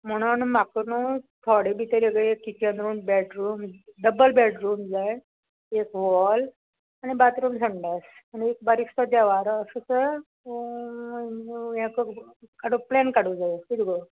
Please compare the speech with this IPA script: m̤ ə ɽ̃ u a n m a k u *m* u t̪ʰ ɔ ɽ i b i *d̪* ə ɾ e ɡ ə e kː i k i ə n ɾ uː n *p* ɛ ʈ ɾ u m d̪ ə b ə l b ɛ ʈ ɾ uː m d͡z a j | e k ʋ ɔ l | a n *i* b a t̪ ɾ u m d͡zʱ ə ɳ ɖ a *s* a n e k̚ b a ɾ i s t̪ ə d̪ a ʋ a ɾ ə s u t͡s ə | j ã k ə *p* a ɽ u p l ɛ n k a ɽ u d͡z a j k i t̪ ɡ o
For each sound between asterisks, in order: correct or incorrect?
incorrect: n, incorrect: t̪, incorrect: b, correct, correct, incorrect: k

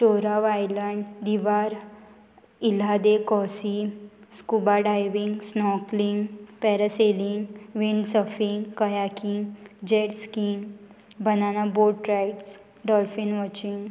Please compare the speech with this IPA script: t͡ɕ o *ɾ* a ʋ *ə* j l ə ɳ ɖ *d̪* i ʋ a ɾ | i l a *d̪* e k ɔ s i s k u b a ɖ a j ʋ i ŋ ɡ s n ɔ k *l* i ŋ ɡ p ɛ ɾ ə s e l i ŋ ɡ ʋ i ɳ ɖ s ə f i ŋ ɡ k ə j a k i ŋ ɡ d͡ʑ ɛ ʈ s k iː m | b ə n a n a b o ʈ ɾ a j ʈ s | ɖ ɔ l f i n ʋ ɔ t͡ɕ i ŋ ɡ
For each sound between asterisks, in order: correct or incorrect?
correct, incorrect: a, correct, correct, correct

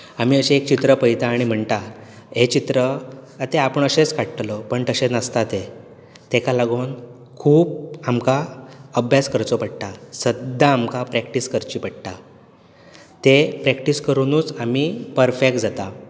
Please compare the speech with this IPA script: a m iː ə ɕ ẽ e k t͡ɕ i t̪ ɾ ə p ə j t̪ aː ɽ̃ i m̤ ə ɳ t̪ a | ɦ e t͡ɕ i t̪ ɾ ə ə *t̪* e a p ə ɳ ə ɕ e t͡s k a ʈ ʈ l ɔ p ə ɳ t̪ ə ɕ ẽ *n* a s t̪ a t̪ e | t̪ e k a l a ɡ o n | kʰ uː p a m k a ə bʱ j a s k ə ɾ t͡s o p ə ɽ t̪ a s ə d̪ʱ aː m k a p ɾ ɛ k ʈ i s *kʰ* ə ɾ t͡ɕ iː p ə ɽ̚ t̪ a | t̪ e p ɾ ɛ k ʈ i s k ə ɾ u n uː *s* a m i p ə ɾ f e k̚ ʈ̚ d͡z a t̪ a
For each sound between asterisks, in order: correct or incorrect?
correct, correct, incorrect: k, incorrect: t͡s

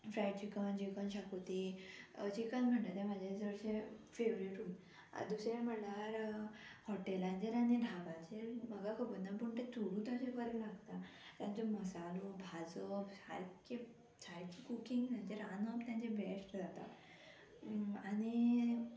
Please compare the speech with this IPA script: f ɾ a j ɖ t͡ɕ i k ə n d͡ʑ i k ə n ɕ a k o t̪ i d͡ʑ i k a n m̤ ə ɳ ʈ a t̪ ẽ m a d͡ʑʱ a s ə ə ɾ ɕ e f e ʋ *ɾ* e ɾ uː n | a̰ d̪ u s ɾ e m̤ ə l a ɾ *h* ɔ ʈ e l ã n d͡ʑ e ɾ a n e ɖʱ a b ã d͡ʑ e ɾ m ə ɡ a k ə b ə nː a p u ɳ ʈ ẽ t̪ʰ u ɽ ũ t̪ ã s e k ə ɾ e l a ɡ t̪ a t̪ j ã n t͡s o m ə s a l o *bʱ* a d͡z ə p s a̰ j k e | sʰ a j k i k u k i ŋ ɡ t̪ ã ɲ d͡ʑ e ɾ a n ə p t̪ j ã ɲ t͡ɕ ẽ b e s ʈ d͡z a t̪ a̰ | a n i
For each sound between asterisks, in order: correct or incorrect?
correct, correct, correct

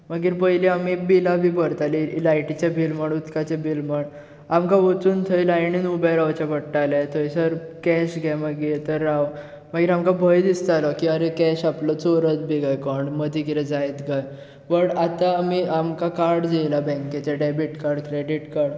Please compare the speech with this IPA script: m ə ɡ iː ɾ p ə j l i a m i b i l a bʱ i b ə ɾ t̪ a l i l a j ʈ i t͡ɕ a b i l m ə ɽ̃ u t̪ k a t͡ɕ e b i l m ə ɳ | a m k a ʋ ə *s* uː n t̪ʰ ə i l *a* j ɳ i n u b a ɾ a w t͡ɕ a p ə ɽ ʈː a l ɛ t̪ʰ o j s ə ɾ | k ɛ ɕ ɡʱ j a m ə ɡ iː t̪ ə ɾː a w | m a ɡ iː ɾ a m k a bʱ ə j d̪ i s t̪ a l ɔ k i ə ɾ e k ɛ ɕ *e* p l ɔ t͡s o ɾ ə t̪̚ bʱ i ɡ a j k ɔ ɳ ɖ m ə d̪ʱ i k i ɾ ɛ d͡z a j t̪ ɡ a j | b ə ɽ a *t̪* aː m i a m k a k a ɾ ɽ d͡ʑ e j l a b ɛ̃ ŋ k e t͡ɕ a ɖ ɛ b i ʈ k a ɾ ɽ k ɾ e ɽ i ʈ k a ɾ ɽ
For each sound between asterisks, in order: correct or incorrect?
incorrect: t͡s, correct, incorrect: a, correct

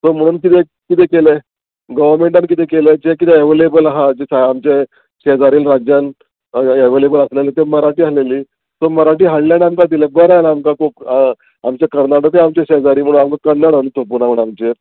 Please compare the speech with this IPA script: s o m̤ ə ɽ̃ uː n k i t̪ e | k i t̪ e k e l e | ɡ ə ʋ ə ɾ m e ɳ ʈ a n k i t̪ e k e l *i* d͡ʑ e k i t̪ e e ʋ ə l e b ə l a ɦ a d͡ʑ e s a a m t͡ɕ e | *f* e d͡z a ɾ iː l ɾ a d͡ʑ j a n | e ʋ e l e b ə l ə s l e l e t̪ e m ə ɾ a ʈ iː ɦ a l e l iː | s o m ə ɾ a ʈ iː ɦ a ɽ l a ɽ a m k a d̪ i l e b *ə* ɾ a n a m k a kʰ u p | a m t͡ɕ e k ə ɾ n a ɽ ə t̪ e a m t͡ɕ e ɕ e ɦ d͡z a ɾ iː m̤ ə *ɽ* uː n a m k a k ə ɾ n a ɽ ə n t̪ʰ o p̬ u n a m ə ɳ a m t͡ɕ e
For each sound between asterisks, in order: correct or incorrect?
incorrect: e, incorrect: ɕ, correct, correct

